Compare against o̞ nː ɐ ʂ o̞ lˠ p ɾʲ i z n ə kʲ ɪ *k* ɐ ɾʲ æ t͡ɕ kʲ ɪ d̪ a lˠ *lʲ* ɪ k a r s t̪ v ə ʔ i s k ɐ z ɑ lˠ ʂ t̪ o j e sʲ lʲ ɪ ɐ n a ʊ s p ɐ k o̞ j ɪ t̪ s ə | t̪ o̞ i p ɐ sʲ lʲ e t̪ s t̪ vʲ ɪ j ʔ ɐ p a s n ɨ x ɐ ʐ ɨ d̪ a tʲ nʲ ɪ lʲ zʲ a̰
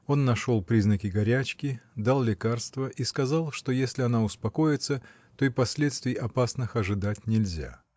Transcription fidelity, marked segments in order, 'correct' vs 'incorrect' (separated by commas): incorrect, correct